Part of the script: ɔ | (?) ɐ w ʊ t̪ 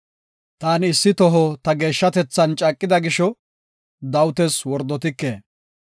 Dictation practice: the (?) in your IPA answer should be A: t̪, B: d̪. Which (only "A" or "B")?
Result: B